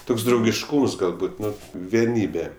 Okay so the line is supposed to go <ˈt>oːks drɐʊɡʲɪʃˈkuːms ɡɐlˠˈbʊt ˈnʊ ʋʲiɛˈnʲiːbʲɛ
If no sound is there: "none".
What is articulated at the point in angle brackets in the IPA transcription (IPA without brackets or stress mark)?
t